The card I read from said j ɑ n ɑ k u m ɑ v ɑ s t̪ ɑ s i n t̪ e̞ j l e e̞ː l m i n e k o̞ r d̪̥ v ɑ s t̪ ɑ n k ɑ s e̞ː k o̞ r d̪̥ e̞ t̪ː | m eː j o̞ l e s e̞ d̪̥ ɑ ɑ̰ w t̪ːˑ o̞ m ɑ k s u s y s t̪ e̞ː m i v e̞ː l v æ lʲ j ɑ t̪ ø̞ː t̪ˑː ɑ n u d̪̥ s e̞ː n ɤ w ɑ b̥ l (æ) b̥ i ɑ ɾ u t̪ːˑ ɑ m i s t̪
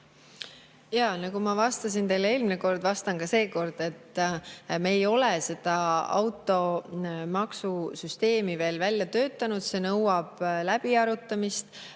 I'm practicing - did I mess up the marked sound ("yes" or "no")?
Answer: no